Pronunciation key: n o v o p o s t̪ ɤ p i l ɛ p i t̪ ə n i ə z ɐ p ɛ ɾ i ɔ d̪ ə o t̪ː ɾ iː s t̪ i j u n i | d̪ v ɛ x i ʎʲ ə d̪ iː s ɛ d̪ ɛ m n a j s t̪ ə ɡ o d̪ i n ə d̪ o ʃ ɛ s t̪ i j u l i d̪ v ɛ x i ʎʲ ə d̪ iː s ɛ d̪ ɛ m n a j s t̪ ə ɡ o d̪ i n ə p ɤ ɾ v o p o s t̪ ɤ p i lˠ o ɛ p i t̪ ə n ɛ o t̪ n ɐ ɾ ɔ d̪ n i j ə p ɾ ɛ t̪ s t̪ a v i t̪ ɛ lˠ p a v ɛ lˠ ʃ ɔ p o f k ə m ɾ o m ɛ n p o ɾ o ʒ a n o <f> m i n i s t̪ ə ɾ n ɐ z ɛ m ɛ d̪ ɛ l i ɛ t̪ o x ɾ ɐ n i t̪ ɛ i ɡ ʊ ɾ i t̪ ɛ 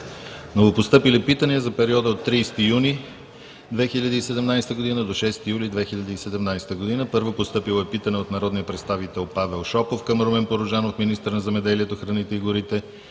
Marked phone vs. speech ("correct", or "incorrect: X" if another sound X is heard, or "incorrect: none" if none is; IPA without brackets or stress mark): correct